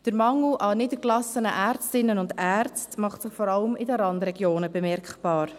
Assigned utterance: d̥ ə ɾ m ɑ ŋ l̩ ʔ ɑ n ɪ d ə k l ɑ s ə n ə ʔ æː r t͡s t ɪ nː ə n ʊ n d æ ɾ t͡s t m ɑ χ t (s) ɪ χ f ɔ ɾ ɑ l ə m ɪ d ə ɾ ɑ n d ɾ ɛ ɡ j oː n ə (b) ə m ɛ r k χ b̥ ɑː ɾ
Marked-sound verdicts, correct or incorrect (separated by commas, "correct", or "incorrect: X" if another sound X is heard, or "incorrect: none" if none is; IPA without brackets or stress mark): correct, correct